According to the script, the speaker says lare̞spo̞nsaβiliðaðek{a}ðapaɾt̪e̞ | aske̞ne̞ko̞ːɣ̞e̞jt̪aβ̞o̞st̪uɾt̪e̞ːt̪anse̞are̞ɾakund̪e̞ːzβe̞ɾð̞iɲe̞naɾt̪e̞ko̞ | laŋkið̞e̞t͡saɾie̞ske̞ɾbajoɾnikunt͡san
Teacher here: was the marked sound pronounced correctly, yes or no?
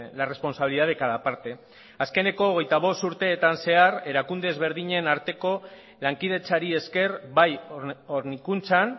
yes